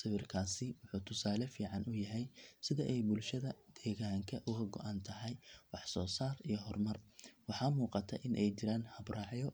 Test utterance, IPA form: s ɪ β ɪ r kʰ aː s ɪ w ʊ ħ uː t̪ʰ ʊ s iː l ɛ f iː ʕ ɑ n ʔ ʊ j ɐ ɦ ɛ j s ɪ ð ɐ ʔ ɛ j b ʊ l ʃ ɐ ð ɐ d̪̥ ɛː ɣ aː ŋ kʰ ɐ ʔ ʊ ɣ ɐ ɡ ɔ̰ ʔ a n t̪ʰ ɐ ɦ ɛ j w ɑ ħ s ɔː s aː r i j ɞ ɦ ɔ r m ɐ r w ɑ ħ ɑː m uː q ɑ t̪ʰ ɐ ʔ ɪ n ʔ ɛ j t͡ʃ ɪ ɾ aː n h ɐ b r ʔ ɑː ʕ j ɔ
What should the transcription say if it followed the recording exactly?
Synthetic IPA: s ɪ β ɪ r kʰ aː s ɪ w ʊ ħ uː t̪ʰ ʊ s aː l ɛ f iː ʕ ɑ n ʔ ʊ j ɐ ɦ ɛ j s ɪ ð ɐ ʔ ɛ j b ʊ l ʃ ɐ ð ɐ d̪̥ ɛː ɣ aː ŋ kʰ ɐ ʔ ʊ ɣ ɐ ɡ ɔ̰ ʔ a n t̪ʰ ɐ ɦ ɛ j w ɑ ħ s ɔː s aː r i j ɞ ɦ ɔ r m ɐ r w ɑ ħ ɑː m uː q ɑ t̪ʰ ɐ ʔ ɪ n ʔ ɛ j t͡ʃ ɪ ɾ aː n h ɐ b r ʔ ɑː ʕ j ɔ